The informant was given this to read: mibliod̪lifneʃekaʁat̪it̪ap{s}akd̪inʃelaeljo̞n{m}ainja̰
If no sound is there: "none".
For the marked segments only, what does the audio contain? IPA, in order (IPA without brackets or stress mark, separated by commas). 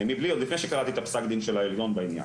s, b